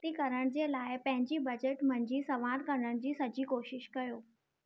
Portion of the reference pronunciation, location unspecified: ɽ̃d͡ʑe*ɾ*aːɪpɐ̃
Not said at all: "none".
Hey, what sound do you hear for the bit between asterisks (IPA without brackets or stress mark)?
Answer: l